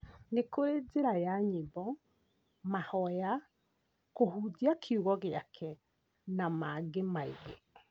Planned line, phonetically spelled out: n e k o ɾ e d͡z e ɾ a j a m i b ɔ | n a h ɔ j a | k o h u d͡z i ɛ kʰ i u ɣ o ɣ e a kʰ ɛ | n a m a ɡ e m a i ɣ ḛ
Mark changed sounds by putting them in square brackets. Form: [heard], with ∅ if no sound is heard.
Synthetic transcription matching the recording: n e k o ɾ e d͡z e ɾ a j a [ɲ] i b ɔ | [m] a h ɔ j a | k o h u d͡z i [a] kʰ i u ɣ [ɔ] ɣ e a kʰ ɛ | n a m a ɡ e m a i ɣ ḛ